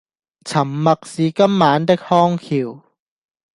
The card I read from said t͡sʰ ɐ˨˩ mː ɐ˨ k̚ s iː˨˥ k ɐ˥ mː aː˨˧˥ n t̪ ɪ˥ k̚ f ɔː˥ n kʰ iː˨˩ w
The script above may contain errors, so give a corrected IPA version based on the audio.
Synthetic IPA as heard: t͡sʰ ɐ˨˩ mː ɐ˨ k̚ s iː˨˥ k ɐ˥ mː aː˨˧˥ n t̪ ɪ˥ k̚ h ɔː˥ ŋ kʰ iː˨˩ w

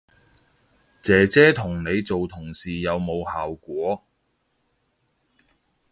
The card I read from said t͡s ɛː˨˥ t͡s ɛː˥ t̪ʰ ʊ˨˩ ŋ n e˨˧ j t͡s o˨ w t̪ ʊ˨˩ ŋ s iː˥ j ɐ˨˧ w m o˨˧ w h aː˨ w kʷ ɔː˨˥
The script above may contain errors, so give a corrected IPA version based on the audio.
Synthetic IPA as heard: t͡s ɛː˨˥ t͡s ɛː˥ t̪ʰ ʊ˨˩ ŋ n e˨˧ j t͡s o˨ w t̪ʰ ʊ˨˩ ŋ s iː˨ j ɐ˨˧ w m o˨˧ w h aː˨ w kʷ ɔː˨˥

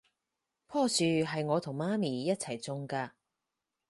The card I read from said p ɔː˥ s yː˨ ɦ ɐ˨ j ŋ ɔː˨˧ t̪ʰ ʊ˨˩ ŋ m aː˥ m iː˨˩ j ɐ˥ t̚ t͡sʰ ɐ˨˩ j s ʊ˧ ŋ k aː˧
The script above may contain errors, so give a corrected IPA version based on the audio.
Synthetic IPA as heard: pʰ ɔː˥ s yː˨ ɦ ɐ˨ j ŋ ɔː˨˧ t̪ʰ ʊ˨˩ ŋ m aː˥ m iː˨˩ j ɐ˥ t̚ t͡sʰ ɐ˨˩ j t͡s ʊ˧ ŋ k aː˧

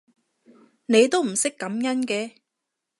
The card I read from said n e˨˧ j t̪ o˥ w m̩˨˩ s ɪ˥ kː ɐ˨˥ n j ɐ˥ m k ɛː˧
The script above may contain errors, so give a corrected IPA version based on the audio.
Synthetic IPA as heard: n e˨˧ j t̪ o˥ w m̩˨˩ s ɪ˥ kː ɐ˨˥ m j ɐ˥ n k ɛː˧

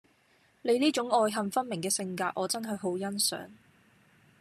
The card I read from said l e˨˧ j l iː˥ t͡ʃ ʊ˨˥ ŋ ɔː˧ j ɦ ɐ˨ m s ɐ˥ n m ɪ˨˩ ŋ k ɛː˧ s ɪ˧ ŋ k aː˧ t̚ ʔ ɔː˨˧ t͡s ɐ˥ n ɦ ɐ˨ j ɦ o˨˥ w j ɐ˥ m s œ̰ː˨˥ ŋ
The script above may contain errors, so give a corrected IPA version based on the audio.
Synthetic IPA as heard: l e˨˧ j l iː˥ t͡ʃ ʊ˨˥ ŋ ɔː˧ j ɦ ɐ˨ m f ɐ˥ n m ɪ˨˩ ŋ k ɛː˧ s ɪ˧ ŋ k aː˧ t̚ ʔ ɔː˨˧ t͡s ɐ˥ n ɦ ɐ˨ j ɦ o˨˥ w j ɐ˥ n s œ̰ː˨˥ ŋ

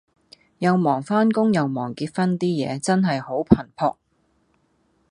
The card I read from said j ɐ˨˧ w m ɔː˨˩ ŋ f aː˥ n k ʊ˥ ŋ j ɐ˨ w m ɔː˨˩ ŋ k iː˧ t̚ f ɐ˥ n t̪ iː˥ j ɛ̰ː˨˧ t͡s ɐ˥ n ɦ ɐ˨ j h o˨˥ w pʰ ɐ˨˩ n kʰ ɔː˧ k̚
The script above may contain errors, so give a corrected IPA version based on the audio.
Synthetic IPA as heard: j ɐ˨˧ w m ɔː˨˩ ŋ f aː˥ n k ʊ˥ ŋ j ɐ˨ w m ɔː˨˩ ŋ k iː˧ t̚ f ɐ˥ n t̪ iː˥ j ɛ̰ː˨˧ t͡s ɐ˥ n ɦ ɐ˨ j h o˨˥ w pʰ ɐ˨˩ n pʰ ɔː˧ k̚

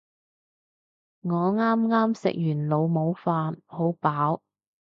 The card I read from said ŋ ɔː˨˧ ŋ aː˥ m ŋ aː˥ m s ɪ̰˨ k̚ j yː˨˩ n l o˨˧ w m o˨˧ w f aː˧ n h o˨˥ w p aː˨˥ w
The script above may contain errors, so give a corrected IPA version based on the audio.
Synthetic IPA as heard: ŋ ɔː˨˧ ŋ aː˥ m ŋ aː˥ m s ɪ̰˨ k̚ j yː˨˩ n l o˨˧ w m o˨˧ w f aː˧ n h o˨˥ w p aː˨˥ w

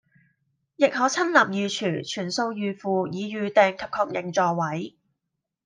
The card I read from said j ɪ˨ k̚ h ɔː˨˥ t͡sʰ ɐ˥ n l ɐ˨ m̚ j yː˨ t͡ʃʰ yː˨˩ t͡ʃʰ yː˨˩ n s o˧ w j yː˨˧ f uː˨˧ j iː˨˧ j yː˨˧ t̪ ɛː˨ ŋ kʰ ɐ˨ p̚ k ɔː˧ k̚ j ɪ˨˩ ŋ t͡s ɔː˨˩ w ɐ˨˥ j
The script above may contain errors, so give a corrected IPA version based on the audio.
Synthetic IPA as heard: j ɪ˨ k̚ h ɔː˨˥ t͡sʰ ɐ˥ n l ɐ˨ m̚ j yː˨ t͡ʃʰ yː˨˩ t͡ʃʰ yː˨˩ n s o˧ w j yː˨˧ f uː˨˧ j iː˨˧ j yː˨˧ t̪ ɛː˨ ŋ kʰ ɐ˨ p̚ kʰ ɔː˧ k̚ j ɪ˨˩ ŋ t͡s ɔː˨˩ w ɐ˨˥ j

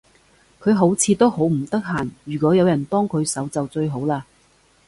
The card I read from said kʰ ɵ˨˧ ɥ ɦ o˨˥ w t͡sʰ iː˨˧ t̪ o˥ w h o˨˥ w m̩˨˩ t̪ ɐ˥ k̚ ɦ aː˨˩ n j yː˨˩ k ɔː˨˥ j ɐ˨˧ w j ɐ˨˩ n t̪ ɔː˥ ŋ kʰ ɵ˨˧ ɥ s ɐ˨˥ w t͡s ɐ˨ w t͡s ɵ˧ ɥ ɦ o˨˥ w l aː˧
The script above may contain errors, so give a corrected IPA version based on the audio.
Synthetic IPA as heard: kʰ ɵ˨˧ ɥ ɦ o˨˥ w t͡sʰ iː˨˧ t̪ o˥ w h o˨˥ w m̩˨˩ t̪ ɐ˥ k̚ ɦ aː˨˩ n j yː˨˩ k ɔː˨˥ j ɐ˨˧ w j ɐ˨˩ n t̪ ɔː˥ ŋ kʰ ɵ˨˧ ɥ s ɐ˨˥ w t͡s ɐ˨ w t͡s ɵ˧ ɥ ɦ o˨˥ w l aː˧

